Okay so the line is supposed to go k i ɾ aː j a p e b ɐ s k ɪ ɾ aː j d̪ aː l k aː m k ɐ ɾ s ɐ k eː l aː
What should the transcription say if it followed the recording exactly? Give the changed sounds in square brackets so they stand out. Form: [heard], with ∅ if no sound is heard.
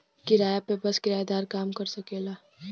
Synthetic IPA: k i ɾ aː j a p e b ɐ s k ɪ ɾ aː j d̪ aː [ɾ] k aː m k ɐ ɾ s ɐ k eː l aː